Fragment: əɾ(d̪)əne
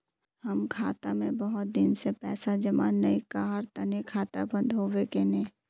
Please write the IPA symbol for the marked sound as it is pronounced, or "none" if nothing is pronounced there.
t̪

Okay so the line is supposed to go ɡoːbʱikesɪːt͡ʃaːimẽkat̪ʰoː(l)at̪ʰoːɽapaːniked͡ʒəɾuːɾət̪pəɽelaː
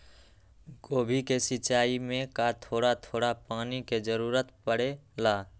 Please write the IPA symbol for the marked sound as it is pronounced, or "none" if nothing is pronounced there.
ɽ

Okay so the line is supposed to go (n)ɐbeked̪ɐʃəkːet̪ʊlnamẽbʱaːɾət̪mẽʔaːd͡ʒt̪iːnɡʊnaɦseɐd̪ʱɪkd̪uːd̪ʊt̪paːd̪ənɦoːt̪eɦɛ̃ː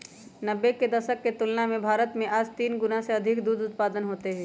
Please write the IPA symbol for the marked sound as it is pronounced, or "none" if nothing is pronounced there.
n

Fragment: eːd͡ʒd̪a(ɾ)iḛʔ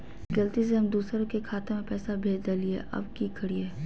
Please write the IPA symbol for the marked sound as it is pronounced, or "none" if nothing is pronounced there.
l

